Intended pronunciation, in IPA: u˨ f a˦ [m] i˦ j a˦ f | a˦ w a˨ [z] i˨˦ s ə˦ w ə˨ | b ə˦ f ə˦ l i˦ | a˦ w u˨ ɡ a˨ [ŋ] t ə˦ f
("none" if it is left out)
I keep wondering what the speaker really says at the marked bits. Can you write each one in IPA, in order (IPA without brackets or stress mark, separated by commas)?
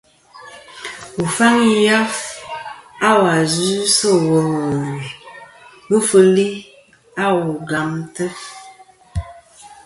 ŋ, z, m